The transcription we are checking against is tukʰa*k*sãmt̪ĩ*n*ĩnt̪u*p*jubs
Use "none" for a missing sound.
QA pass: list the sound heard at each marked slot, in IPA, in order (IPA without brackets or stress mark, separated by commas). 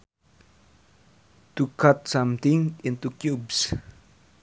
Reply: t, ŋ, k